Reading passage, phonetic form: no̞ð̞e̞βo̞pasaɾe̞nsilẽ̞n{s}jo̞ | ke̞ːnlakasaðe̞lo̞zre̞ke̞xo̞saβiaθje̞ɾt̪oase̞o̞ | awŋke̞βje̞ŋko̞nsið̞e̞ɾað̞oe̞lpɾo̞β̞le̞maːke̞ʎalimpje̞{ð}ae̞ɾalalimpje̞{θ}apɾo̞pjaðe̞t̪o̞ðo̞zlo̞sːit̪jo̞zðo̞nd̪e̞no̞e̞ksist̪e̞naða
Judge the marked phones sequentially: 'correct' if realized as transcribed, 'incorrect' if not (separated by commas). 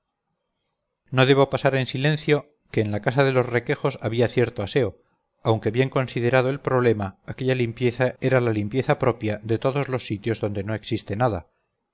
incorrect, incorrect, correct